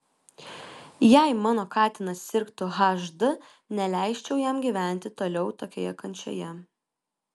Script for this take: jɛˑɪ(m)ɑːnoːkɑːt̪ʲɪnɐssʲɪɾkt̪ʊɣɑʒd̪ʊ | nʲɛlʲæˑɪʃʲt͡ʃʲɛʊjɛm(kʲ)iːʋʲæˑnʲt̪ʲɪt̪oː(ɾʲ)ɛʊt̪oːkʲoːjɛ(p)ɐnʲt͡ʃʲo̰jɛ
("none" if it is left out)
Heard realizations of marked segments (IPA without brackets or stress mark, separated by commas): m, ɡʲ, lʲ, k